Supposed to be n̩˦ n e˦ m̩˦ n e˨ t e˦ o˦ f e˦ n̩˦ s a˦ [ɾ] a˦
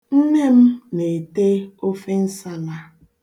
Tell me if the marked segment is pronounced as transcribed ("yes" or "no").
no